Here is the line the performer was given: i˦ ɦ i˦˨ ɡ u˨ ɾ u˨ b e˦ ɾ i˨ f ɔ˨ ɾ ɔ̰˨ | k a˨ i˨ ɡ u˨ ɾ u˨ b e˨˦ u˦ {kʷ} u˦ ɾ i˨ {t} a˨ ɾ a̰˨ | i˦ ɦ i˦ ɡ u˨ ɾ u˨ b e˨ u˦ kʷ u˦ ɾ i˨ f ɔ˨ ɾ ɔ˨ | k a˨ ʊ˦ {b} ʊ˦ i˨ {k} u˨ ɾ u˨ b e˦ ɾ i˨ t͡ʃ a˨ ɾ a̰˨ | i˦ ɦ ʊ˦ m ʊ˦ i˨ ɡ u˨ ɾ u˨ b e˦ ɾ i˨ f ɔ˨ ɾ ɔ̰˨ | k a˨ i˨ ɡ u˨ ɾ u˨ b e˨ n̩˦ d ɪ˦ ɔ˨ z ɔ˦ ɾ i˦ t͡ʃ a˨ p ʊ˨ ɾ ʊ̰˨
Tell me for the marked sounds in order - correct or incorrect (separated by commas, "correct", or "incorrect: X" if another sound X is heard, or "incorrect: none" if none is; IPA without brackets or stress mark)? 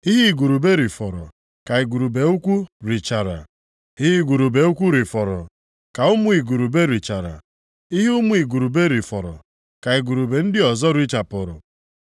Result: correct, incorrect: t͡ʃ, incorrect: m, incorrect: ɡ